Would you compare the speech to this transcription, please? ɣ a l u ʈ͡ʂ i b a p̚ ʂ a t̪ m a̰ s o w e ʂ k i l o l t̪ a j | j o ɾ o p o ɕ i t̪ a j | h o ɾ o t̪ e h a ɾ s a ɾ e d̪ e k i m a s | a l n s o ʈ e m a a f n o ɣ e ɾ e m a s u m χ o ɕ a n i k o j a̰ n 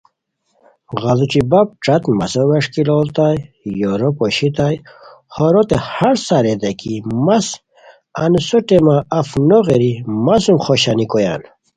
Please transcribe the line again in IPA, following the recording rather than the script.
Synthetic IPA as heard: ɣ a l u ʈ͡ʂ i b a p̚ ʈ͡ʂ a t̪ m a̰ s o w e ʂ k i l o l t̪ a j | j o ɾ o p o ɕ i t̪ a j | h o ɾ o t̪ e h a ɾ s a ɾ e d̪ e k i m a s | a n s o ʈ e m a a f n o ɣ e ɾ i m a s u m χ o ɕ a n i k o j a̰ n